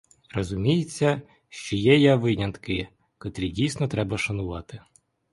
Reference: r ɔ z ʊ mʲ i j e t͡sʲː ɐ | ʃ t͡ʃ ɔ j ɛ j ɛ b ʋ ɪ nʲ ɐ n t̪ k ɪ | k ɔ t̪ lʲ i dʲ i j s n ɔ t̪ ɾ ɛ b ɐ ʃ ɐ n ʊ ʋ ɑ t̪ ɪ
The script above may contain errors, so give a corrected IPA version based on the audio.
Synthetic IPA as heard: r ɔ z ʊ mʲ i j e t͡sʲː ɐ | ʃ t͡ʃ ɔ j ɛ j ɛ ʋ ɪ nʲ ɐ n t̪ k ɪ | k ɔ t̪ ɾʲ i dʲ i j s n ɔ t̪ ɾ ɛ b ɐ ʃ ɐ n ʊ ʋ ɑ t̪ ɪ